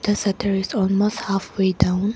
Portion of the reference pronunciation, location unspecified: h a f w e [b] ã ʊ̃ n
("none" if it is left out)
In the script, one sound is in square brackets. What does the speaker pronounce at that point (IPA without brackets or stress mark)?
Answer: d